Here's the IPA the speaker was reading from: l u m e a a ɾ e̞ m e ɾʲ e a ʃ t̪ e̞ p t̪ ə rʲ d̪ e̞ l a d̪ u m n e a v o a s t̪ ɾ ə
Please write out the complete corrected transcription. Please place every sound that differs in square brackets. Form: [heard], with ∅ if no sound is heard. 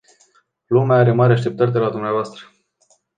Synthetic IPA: l u m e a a ɾ e̞ m [a] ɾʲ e a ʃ t̪ e̞ p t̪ ə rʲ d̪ e̞ l a d̪ u m n e a v o a s t̪ ɾ ə